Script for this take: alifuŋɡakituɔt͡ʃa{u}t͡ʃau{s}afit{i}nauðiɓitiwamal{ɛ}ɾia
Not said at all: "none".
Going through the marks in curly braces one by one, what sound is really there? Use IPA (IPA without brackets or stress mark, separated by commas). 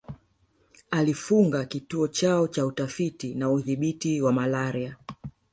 ɔ, t, i, a